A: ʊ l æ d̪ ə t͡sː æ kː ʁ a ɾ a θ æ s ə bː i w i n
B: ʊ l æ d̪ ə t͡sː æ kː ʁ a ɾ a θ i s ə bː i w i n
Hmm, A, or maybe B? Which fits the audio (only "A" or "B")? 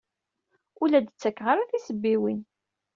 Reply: B